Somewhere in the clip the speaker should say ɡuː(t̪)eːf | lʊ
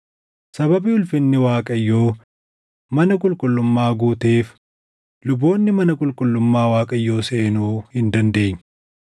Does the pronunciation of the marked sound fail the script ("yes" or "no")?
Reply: no